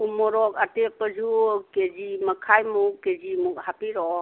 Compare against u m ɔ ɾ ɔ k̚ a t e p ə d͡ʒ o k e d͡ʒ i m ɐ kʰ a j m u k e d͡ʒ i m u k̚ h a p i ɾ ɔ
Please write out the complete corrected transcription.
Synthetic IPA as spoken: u m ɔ ɾ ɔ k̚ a t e p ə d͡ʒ u k e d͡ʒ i m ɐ kʰ a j m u k e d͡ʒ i m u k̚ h a p i ɾ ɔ